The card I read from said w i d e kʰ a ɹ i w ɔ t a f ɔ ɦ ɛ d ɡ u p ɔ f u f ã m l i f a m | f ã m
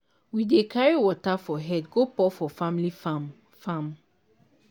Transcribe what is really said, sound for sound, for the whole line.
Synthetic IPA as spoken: w i d e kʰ a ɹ i w ɔ t a f ɔ ɦ ɛ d ɡ o p ɔ f ɔ f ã m l i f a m | f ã m